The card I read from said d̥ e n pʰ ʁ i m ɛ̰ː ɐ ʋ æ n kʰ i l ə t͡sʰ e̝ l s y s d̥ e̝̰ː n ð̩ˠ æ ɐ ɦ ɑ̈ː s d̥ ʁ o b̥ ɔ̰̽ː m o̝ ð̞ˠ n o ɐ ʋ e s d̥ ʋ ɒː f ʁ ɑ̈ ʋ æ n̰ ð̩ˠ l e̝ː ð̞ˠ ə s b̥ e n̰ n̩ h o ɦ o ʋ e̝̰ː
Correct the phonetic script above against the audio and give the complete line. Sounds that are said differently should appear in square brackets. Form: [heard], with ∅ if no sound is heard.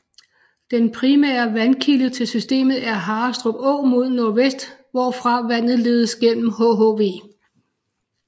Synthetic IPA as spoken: d̥ e n pʰ ʁ i m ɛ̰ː ɐ ʋ æ n kʰ i l ə t͡sʰ e̝ l s y s d̥ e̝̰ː [m] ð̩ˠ æ ɐ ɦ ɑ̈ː s d̥ ʁ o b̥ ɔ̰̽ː m o̝ ð̞ˠ n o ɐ ʋ e s d̥ ʋ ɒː f ʁ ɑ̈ ʋ æ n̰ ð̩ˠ l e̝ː ð̞ˠ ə s [ɡ̥] e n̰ [m̩] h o ɦ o ʋ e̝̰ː